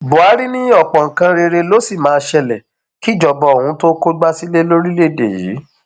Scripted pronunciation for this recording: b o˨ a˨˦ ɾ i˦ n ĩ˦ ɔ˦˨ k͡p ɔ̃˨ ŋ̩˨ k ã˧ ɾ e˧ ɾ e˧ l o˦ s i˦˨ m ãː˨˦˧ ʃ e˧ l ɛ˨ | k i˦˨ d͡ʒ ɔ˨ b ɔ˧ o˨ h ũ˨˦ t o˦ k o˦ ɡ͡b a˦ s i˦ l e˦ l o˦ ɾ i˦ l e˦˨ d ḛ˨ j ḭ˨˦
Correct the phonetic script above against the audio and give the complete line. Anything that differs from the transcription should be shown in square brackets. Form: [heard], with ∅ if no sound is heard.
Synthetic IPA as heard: b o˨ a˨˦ ɾ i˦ n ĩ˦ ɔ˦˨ k͡p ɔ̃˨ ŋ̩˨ k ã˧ ɾ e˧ ɾ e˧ l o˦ s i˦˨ m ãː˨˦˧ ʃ [ɛ˧] l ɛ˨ | k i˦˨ d͡ʒ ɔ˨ b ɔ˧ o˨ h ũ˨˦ t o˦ k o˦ ɡ͡b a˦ s i˦ l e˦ l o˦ ɾ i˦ l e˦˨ d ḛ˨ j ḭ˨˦